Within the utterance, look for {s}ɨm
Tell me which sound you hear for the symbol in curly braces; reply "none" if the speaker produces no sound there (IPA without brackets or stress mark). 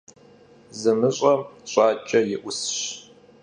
z